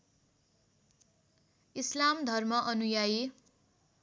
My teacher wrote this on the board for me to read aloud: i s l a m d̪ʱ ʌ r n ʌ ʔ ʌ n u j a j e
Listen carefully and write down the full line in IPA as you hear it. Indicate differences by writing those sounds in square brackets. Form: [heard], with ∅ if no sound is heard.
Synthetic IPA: i s l a m d̪ʱ ʌ r [m] ʌ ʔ ʌ n u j a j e